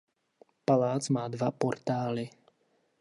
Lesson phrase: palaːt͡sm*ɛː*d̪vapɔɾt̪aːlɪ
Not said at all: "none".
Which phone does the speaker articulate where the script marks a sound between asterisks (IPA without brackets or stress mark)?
aː